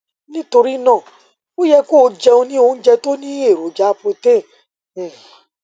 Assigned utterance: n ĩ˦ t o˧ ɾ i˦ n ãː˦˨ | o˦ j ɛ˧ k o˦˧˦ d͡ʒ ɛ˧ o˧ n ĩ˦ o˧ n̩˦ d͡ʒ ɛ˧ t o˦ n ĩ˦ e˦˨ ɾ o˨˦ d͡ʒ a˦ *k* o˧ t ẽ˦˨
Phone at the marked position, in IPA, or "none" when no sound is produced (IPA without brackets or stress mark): p